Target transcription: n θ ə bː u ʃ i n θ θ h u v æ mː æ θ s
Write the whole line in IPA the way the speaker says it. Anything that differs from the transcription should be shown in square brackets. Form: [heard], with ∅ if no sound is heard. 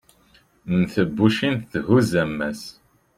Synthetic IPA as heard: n θ ə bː u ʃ i n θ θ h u [z] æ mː æ [∅] s